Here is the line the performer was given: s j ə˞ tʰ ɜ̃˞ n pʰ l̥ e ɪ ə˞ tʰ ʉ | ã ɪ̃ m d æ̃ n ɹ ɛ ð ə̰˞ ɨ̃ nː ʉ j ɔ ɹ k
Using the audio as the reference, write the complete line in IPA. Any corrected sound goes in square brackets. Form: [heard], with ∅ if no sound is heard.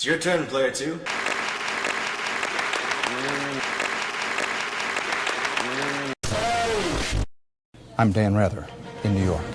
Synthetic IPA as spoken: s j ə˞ tʰ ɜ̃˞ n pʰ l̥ e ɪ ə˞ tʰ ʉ | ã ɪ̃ m d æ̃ n ɹ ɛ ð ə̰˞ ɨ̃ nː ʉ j ɔ ɹ k